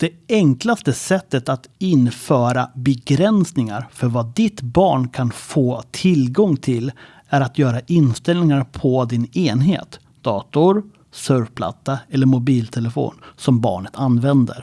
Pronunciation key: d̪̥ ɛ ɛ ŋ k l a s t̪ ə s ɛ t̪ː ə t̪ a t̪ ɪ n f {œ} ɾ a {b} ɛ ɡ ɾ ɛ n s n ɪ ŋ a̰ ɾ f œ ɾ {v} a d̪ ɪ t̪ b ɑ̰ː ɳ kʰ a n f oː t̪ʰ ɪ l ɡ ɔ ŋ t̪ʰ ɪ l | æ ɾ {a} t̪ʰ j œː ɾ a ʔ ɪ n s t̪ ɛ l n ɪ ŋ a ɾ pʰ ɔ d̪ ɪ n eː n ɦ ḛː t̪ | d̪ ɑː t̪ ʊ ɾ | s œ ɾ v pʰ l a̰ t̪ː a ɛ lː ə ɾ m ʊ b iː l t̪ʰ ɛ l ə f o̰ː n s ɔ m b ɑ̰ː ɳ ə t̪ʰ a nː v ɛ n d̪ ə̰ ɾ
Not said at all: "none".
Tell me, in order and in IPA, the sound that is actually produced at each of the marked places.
œː, b, v, a

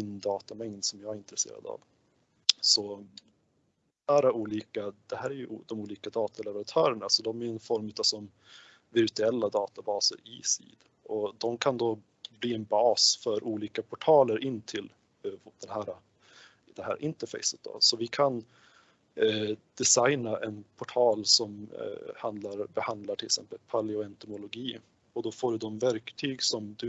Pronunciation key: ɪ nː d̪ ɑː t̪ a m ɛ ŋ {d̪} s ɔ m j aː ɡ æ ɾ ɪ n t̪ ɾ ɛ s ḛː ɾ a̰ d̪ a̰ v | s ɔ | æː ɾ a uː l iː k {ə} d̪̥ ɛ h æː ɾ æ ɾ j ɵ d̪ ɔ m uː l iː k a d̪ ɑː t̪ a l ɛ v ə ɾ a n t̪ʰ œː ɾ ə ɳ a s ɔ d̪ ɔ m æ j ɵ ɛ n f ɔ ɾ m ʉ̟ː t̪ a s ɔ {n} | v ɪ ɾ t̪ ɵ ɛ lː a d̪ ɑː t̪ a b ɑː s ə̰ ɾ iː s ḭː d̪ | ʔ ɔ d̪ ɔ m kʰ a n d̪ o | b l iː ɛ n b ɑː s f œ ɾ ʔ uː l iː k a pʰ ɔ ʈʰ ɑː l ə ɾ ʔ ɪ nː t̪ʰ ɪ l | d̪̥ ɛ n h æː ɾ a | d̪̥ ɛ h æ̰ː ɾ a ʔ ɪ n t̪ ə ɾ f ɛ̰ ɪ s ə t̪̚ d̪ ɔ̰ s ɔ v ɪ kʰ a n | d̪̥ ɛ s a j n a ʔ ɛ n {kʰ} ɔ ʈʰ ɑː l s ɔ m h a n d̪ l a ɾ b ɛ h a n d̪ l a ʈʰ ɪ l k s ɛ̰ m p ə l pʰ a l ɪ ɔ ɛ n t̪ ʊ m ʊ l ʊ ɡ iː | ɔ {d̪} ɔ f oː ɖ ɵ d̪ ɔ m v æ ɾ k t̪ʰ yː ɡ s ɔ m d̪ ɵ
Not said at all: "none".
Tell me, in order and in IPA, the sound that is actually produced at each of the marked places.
d̪, a, m, pʰ, d̪

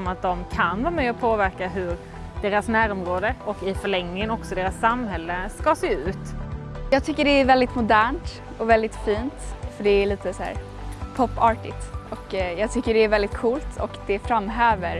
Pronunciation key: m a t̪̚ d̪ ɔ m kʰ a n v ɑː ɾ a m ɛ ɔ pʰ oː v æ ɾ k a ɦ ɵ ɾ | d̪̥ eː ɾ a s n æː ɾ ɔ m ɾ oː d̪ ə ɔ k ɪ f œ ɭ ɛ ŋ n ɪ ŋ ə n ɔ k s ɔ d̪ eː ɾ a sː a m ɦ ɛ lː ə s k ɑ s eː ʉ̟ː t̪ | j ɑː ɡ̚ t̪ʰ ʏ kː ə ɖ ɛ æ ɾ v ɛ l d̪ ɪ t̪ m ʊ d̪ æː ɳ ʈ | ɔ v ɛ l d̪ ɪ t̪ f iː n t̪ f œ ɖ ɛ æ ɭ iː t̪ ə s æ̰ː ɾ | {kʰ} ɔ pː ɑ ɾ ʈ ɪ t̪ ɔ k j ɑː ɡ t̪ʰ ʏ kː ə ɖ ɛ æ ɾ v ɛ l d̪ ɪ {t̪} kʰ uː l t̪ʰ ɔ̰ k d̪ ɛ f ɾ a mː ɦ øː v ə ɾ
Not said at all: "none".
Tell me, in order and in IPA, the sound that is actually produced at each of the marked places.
pʰ, t̪

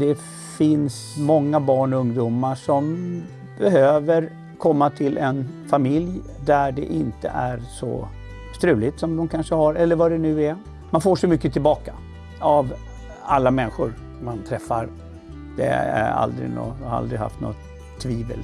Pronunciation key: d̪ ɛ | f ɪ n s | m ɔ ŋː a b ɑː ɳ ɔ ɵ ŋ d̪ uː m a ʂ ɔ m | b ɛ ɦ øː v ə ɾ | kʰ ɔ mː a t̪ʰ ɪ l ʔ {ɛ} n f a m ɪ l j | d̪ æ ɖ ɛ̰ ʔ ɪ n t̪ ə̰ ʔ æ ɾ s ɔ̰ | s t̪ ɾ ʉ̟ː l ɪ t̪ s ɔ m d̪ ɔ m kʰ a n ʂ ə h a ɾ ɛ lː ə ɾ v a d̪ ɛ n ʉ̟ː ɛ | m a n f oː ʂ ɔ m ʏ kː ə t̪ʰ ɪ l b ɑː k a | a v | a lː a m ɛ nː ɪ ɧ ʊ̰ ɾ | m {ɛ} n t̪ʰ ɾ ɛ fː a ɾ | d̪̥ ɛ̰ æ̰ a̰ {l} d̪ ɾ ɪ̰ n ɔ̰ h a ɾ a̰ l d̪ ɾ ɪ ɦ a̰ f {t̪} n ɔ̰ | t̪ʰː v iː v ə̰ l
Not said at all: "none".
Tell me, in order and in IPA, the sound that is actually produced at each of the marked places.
ɛ, a, l, t̪

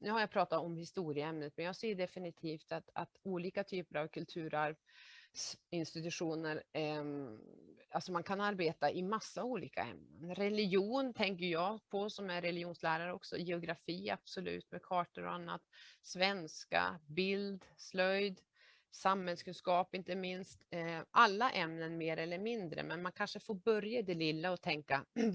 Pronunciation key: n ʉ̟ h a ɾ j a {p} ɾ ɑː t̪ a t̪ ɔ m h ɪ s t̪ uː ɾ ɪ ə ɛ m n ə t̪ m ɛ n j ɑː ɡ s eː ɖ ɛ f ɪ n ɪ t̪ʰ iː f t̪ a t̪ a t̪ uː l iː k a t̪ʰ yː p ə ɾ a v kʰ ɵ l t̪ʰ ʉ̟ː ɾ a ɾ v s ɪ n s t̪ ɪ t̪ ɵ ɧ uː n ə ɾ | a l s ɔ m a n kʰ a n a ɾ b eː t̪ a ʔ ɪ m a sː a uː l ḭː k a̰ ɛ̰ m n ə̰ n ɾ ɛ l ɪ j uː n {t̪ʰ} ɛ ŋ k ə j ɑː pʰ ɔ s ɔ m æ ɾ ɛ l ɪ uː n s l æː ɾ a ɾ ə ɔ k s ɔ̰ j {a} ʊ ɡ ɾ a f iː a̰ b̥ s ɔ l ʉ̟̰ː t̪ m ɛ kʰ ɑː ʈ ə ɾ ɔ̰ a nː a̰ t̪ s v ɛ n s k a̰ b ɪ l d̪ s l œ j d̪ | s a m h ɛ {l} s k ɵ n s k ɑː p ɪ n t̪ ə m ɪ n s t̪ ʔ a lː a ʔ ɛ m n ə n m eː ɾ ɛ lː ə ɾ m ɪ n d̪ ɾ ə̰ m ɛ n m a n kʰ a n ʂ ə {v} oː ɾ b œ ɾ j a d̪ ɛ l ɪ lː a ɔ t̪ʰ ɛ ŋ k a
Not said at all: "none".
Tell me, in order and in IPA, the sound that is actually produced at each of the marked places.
pʰ, t̪ʰ, ɛ, l, f

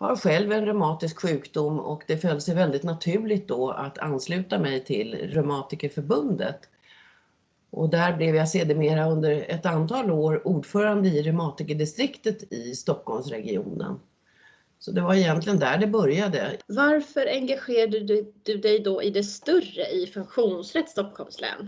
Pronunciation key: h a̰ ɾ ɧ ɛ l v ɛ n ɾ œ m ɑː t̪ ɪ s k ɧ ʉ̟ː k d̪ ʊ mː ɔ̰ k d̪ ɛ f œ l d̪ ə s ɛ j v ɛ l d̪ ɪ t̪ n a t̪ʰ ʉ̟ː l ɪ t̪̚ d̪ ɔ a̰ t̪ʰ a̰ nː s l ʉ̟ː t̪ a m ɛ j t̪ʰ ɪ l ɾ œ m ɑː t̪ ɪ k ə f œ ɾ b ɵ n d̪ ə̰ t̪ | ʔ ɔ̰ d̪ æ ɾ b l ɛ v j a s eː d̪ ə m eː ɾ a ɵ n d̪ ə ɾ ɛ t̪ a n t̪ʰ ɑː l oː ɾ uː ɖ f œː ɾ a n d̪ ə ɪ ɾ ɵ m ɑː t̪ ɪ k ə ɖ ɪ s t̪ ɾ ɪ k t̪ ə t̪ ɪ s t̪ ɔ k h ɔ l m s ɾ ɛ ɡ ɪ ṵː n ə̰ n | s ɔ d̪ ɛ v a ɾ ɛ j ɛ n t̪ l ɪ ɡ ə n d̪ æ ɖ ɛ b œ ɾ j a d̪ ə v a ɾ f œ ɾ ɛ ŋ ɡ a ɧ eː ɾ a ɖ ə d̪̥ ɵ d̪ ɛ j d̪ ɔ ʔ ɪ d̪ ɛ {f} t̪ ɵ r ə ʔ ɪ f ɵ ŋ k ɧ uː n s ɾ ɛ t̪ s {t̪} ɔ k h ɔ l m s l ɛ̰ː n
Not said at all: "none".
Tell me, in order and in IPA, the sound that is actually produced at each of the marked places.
s, t̪

